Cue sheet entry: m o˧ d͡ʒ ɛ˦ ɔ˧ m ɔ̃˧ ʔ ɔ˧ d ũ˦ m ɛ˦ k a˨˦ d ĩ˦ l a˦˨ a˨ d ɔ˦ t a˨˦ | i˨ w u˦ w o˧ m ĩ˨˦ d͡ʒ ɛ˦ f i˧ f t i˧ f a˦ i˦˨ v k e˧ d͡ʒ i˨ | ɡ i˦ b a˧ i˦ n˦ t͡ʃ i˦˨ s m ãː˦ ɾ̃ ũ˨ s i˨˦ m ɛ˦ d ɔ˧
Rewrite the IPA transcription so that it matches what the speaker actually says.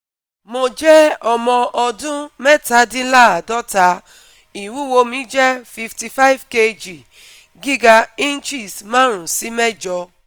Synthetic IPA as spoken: m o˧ d͡ʒ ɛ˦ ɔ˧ m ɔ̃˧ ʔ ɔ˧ d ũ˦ m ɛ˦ t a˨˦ d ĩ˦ l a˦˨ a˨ d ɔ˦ t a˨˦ | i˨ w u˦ w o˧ m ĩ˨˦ d͡ʒ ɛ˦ f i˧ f t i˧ f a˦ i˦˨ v k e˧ d͡ʒ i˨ | ɡ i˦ ɡ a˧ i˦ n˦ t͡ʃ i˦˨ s m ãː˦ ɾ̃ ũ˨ s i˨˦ m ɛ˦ d͡ʒ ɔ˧